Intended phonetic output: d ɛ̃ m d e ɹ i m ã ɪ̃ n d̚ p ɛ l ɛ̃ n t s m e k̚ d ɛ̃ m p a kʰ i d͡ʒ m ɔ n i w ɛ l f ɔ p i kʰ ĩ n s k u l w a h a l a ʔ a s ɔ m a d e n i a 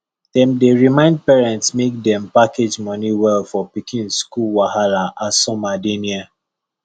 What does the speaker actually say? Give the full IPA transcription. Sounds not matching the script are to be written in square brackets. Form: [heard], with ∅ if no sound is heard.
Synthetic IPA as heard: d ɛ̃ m d e ɹ i m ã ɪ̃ n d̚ p ɛ [ɹ] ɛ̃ n t s m e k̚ d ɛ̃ m p a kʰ [e] d͡ʒ m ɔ n i w ɛ l f ɔ p i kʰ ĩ n s k u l w a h a l a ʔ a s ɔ m a d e n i a